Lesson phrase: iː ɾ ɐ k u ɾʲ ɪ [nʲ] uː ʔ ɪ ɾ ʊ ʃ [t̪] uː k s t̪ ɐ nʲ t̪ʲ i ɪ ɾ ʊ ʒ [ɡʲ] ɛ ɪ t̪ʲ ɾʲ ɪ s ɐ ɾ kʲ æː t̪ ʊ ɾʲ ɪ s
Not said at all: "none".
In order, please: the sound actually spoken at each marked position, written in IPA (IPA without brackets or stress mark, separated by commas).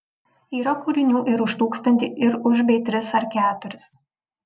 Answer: nʲ, t̪, bʲ